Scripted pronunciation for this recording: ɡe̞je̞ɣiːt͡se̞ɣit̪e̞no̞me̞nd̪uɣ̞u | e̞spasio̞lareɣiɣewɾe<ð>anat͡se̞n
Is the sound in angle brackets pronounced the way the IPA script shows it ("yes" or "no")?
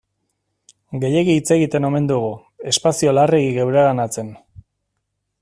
no